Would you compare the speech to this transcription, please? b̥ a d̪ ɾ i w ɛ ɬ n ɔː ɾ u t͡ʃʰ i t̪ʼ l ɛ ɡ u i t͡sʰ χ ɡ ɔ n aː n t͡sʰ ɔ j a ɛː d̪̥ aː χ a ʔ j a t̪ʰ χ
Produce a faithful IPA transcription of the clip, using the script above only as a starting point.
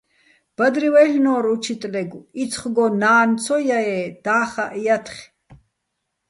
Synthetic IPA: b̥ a d̪ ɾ i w ɛ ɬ n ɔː ɾ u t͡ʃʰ i t̪ʼ l ɛ ɡ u i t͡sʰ χ ɡ ɔ n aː n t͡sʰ ɔ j a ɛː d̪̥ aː χ a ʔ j a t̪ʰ χ